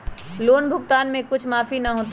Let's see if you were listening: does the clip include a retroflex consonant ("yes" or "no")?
no